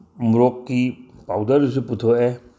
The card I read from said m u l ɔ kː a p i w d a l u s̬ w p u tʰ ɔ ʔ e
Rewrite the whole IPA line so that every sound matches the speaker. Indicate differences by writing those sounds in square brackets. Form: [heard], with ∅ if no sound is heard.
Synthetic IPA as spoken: m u [ɾ] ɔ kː [i] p [a] w d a [ɾ] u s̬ [u] p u tʰ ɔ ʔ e